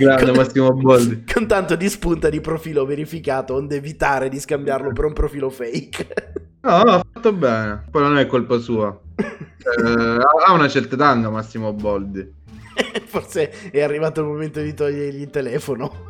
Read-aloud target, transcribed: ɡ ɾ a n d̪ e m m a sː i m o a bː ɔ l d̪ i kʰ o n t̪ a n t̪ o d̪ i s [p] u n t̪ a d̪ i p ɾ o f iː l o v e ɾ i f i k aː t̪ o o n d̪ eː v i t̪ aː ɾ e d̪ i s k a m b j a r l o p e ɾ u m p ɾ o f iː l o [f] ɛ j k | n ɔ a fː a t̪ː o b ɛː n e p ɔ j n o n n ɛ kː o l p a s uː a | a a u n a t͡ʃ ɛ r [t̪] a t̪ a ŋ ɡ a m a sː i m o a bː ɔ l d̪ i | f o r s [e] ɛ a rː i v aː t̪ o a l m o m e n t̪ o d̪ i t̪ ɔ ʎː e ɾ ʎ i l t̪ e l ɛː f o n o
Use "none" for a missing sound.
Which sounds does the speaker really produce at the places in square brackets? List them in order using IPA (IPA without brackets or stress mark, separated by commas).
p, f, t̪, e